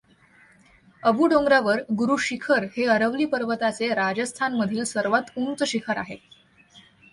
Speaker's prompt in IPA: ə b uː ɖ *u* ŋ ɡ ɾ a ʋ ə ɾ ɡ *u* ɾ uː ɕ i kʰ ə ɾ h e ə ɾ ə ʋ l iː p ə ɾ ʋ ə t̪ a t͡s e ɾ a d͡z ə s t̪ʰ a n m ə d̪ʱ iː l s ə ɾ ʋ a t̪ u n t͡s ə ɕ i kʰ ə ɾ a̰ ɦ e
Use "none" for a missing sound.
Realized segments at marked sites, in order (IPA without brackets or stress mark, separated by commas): o, u